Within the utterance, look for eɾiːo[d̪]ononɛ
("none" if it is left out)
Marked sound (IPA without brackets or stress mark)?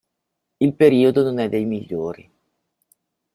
d̪